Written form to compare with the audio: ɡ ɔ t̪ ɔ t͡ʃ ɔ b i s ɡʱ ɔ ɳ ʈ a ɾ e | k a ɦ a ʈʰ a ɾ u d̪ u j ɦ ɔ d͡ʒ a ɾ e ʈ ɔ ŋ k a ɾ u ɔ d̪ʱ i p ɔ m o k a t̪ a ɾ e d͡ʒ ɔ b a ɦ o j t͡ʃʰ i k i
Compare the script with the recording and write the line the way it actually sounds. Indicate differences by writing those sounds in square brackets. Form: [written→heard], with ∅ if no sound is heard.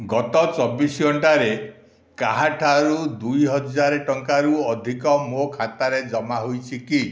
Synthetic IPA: ɡ ɔ t̪ ɔ t͡ʃ ɔ b i s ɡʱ ɔ ɳ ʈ a ɾ e | k a ɦ a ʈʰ a ɾ u d̪ u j ɦ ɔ d͡ʒ a ɾ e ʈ ɔ ŋ k a ɾ u ɔ d̪ʱ i [p→k] ɔ m o [k→kʰ] a t̪ a ɾ e d͡ʒ ɔ [b→m] a ɦ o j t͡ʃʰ i k i